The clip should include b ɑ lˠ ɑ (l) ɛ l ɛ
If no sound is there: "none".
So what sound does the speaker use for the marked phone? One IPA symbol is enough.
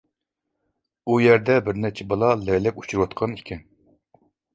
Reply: l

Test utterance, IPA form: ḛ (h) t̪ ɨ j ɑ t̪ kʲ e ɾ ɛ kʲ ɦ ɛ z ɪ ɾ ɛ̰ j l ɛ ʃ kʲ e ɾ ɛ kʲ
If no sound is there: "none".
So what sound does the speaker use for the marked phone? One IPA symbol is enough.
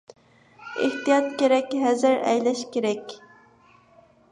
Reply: h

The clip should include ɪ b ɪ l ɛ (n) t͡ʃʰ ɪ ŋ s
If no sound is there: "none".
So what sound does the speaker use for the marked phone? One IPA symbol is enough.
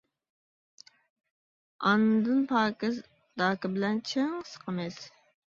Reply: n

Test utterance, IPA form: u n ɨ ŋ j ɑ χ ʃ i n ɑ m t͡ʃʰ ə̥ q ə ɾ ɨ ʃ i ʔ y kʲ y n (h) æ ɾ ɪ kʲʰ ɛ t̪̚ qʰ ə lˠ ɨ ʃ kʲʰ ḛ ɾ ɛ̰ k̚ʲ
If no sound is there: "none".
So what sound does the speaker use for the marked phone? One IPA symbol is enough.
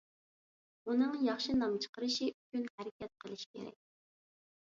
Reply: h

